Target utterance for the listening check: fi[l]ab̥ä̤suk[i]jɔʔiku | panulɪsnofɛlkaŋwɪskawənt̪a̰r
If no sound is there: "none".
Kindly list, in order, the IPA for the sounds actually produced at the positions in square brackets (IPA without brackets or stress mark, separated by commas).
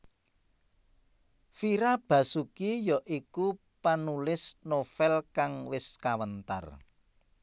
ɾ, i